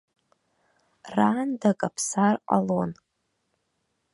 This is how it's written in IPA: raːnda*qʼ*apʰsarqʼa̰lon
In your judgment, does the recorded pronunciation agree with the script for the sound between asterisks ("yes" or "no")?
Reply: no